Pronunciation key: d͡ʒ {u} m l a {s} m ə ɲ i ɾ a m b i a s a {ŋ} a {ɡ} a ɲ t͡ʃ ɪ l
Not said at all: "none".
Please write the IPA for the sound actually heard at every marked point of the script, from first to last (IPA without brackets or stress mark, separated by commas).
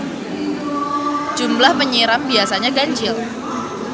u, h, ɲ, ɡ